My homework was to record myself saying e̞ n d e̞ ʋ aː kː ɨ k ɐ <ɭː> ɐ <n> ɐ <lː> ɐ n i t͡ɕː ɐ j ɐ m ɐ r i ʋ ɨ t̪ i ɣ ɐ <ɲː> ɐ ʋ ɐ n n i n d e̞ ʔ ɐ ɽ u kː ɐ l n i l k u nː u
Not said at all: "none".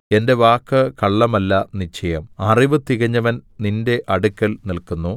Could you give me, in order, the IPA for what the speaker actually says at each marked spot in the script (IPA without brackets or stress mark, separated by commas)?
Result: ɭː, m, lː, ɲː